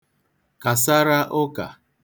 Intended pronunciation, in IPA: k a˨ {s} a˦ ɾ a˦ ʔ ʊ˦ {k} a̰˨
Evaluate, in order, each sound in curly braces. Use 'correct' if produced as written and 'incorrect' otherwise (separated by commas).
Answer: correct, correct